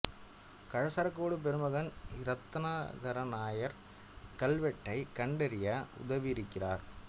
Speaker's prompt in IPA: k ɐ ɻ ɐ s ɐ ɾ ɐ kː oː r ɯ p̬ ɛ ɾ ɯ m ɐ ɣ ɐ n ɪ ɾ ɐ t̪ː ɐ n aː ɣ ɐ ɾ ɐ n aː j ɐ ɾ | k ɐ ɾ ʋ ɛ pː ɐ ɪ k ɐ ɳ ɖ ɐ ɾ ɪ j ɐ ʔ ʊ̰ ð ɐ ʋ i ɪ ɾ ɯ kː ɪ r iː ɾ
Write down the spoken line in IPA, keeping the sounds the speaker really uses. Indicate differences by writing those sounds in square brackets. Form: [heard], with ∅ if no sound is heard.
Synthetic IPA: k ɐ ɻ ɐ s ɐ ɾ ɐ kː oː [ɽ] ɯ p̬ ɛ ɾ ɯ m ɐ ɣ ɐ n ɪ ɾ ɐ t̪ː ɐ n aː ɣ ɐ ɾ ɐ n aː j ɐ ɾ | k ɐ [l] ʋ ɛ [ʈː] ɐ ɪ k ɐ ɳ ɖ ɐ ɾ ɪ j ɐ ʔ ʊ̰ ð ɐ ʋ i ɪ ɾ ɯ kː ɪ r [aː] ɾ